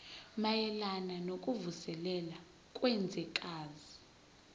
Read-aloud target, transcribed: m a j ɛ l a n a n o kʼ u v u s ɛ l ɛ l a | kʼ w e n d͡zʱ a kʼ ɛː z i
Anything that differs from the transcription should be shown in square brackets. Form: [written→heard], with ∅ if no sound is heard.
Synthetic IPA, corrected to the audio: m a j ɛ l a n a n o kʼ u v u s ɛ l ɛ l a | kʼ w [e→ɛ] n d͡zʱ [a→ɛ] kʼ [ɛː→aː] z i